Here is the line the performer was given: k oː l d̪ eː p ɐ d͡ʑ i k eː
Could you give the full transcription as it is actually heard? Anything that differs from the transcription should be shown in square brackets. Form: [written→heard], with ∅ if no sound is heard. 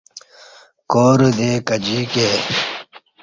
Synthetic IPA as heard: k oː [l→ɾ] d̪ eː [p→k] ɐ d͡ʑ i k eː